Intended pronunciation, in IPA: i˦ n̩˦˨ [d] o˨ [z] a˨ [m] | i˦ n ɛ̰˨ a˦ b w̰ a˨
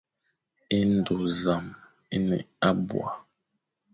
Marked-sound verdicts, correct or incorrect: correct, correct, correct

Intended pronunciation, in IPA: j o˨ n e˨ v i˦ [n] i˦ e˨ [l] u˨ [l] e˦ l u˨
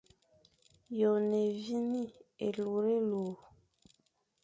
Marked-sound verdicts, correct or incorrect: correct, correct, incorrect

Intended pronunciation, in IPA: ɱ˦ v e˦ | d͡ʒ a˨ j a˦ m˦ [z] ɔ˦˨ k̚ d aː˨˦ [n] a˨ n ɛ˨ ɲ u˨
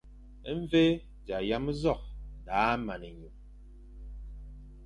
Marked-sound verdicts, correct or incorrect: correct, incorrect

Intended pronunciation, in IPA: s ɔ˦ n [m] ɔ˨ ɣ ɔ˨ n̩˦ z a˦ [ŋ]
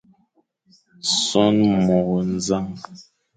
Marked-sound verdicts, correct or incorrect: correct, correct

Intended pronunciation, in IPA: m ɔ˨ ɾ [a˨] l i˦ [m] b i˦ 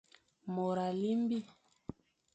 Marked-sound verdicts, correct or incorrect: correct, correct

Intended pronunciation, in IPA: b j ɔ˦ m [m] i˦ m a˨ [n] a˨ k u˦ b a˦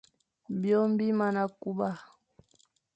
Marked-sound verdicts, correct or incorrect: incorrect, correct

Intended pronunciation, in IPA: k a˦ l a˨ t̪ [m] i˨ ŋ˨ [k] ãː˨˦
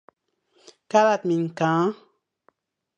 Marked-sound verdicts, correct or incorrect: correct, correct

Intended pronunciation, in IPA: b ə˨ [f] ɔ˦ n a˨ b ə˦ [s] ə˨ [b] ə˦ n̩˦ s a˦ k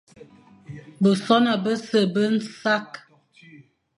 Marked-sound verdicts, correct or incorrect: incorrect, correct, correct

